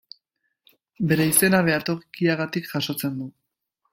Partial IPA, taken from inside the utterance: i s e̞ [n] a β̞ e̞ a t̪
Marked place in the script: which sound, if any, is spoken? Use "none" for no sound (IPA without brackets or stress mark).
n